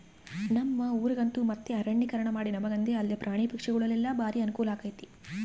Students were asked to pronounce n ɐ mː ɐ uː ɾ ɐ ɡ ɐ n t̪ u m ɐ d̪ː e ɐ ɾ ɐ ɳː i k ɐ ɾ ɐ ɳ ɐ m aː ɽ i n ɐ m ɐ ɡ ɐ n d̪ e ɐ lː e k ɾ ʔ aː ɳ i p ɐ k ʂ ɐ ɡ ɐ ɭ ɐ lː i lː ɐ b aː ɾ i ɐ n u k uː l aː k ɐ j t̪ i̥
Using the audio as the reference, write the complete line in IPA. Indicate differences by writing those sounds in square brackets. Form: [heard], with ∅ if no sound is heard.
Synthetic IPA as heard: n ɐ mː ɐ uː ɾ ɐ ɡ ɐ n t̪ u m ɐ [t̪ː] e ɐ ɾ ɐ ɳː i k ɐ ɾ ɐ ɳ ɐ m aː ɽ i n ɐ m ɐ ɡ ɐ n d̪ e ɐ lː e [p] ɾ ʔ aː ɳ i p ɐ k ʂ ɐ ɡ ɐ ɭ ɐ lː i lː ɐ b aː ɾ i ɐ n u k uː l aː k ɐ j t̪ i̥